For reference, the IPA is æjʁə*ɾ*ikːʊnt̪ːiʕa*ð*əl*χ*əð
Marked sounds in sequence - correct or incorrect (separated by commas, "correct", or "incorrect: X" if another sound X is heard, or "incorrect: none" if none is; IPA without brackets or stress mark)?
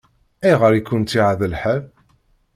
correct, correct, incorrect: ħ